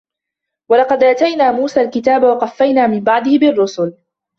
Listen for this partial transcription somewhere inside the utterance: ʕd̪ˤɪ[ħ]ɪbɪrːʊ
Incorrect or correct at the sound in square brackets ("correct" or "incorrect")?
incorrect